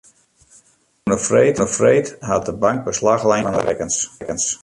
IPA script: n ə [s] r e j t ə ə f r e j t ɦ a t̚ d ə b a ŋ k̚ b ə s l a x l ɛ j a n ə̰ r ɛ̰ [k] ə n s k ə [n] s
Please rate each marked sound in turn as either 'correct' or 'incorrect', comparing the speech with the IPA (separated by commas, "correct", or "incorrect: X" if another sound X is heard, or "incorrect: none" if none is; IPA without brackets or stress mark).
incorrect: f, correct, correct